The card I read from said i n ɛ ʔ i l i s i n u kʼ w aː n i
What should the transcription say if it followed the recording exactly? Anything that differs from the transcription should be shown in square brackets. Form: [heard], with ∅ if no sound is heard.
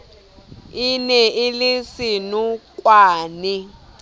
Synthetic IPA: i n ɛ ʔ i l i s i n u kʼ w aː n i